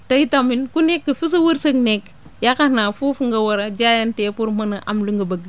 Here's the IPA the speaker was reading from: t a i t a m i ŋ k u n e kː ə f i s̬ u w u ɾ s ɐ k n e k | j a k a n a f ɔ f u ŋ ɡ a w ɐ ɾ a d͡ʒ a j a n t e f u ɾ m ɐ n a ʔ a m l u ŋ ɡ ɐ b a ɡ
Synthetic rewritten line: t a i t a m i n k u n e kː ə f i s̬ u w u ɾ s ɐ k n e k | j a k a n a f u f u ŋ ɡ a w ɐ ɾ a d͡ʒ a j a n t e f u ɾ m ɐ n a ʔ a m l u ŋ ɡ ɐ b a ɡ

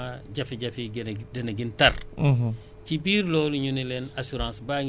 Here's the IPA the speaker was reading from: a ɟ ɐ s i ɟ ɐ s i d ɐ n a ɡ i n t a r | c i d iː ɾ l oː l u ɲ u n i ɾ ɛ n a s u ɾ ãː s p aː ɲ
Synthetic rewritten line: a ɟ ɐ f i ɟ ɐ f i d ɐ n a ɡ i n t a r | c i b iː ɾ l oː l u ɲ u n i l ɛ n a s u ɾ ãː s b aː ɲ

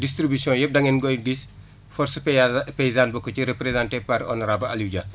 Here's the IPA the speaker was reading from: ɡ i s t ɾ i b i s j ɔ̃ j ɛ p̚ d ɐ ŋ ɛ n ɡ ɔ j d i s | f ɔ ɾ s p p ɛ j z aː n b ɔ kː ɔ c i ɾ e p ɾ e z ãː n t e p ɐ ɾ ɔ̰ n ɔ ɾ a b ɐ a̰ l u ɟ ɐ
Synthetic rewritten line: d i s t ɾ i b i s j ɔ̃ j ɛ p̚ d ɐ ŋ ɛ n ɡ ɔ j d i s | f ɔ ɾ s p p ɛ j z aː n b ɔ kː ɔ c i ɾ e p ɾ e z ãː n t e p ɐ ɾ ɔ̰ n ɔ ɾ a b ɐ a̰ l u ɟ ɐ

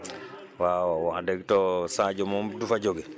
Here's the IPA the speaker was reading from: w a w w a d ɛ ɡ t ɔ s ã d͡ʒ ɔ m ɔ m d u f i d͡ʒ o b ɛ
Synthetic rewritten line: w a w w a d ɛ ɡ t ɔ s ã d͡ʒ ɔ m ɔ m d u f a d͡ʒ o ɡ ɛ

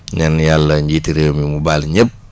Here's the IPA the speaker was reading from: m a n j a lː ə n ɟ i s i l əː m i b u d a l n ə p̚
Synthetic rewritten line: ɲ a n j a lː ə ɲ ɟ i t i ɾ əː m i m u b a l ɲ ə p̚

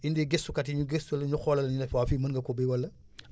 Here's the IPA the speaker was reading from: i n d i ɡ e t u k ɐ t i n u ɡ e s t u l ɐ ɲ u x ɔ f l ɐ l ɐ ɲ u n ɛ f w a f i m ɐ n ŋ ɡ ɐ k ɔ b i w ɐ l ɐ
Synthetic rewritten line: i n d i ɡ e s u k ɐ t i ɲ u ɡ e s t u l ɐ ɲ u x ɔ l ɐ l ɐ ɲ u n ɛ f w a f i m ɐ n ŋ ɡ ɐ k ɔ b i w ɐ l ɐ

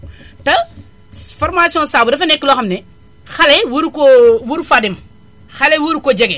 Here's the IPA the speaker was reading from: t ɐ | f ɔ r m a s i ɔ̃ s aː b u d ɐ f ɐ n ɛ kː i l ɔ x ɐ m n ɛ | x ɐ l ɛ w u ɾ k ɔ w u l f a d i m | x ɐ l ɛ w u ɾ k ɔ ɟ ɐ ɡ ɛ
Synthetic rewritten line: t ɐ | f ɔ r m a s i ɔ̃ s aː b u d ɐ f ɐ n ɛ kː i l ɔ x ɐ m n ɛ | x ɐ l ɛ w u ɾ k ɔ w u ɾ f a d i m | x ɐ l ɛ w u ɾ k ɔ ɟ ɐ ɡ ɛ

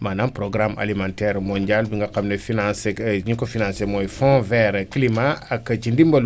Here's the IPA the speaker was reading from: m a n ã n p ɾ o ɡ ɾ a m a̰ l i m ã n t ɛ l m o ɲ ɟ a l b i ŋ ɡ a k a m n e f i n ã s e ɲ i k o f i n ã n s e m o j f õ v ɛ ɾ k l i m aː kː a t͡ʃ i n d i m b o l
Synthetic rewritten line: m a n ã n p ɾ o ɡ ɾ a m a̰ l i m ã n t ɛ ɾ m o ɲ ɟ a l b i ŋ ɡ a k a m n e f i n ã s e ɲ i k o f i n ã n s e m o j f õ v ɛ ɾ k l i m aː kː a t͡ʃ i n d i m b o l

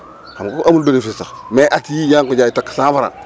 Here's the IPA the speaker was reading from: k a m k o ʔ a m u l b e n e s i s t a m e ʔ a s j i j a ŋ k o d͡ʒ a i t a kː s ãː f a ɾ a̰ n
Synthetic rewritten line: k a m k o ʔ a m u l b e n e f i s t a m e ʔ a t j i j a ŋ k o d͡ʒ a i t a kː s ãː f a ɾ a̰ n

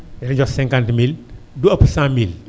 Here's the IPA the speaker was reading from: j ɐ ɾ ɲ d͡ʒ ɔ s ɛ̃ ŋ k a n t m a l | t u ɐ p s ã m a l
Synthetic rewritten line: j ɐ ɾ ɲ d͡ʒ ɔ s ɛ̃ ŋ k a n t m i l | d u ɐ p s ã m i l

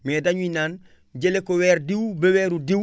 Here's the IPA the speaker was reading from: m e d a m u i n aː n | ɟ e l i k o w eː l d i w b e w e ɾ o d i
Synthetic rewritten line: m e d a ɲ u i n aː n | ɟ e l e k o w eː ɾ d i w b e w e ɾ u d i

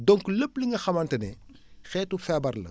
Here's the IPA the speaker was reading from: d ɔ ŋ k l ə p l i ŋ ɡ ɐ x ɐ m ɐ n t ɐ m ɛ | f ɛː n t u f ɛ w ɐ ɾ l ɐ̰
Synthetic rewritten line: d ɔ ŋ k l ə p l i ŋ ɡ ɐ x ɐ m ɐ n t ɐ n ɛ | x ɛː t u f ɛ b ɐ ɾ l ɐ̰

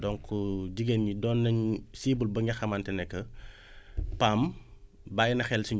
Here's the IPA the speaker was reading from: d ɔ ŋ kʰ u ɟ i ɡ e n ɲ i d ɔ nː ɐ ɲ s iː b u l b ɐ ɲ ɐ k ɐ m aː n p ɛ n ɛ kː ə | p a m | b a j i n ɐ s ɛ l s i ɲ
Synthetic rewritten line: d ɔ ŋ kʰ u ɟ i ɡ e n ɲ i d ɔ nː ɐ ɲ s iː b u l b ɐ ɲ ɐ x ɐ m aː n t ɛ n ɛ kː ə | p a m | b a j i n ɐ x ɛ l s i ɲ

